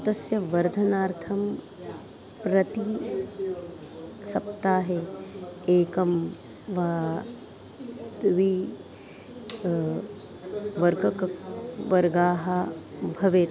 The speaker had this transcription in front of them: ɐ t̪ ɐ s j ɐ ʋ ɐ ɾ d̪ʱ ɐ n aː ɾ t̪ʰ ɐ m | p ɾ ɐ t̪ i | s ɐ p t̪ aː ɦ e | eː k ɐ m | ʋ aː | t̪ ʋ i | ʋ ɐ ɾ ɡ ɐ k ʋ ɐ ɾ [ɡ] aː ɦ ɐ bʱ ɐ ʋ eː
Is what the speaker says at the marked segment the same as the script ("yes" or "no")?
yes